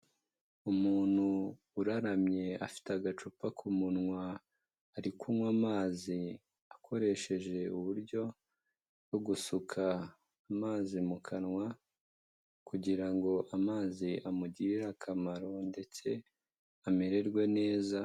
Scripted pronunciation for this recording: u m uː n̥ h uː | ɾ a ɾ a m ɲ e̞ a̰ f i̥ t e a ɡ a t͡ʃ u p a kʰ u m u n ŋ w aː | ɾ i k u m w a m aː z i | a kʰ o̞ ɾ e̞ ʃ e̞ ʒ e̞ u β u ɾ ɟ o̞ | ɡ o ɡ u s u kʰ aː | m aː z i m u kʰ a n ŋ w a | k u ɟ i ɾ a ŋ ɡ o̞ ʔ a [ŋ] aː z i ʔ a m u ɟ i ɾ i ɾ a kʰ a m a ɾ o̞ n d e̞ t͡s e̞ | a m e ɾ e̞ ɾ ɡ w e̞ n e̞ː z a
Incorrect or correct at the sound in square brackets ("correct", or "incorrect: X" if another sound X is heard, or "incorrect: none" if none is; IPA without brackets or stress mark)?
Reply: incorrect: m